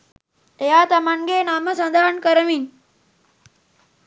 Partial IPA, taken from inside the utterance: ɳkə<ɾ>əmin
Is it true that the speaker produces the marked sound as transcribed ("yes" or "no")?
yes